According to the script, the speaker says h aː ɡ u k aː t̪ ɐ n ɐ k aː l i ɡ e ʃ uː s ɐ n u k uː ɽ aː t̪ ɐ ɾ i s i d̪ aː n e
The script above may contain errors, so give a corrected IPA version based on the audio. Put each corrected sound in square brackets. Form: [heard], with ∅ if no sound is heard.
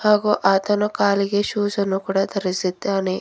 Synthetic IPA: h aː ɡ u [ʔ] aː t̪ ɐ n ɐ k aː l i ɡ e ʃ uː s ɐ n u k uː ɽ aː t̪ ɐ ɾ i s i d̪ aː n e